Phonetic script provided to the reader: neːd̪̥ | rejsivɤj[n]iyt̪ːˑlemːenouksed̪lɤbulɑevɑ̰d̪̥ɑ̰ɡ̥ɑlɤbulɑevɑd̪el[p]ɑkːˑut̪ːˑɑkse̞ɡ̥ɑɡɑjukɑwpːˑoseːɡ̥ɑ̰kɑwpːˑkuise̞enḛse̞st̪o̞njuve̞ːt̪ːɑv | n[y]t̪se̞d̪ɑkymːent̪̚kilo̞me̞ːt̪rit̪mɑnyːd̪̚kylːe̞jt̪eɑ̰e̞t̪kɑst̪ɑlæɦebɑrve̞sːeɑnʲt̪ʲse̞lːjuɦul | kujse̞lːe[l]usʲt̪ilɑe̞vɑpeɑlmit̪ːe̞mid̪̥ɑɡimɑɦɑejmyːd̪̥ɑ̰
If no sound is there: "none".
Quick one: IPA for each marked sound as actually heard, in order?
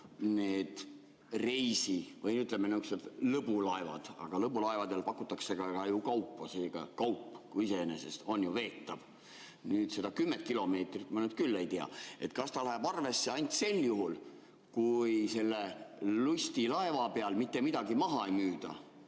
n, p, yː, l

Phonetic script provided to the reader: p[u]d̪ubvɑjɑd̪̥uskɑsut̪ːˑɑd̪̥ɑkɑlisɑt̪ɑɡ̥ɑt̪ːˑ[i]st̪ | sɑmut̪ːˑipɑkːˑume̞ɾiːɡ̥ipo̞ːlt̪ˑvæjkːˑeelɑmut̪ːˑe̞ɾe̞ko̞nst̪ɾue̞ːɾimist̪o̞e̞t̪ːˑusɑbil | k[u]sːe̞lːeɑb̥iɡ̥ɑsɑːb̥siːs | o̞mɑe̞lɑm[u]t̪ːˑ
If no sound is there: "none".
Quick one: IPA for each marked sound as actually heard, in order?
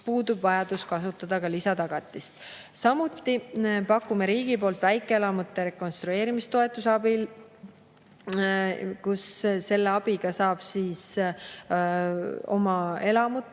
uː, i, u, u

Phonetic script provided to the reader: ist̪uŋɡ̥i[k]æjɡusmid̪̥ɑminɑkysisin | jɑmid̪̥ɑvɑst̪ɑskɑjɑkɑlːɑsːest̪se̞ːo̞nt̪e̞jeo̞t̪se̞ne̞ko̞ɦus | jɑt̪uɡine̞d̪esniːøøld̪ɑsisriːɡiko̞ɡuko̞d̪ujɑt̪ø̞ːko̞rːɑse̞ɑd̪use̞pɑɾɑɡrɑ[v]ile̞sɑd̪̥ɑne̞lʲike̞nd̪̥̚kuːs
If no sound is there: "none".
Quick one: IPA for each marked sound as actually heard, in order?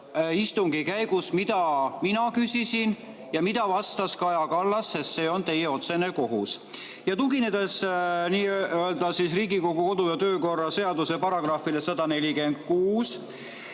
k, f

